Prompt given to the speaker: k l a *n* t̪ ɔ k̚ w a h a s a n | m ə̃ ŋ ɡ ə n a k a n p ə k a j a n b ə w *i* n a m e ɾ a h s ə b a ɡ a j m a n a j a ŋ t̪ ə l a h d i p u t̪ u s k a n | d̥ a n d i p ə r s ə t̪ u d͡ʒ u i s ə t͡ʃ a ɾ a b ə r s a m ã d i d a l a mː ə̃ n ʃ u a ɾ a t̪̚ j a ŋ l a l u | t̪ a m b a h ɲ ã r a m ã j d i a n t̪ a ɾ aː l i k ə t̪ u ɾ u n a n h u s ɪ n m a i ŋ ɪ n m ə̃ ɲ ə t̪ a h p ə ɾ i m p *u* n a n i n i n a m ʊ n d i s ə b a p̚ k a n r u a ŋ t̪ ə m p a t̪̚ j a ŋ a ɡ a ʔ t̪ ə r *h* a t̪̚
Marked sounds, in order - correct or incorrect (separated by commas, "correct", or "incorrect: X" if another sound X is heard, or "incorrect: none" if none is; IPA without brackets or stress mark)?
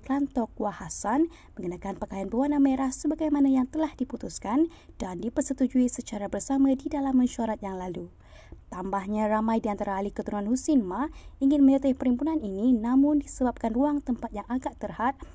correct, incorrect: a, correct, correct